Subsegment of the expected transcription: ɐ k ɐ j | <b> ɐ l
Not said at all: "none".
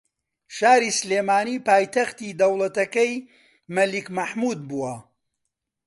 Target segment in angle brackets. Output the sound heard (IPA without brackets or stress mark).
m